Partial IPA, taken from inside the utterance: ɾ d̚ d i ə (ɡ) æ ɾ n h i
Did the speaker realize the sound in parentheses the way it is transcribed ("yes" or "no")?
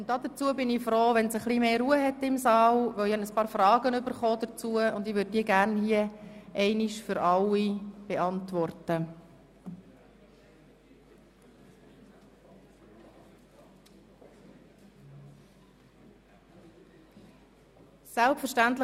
yes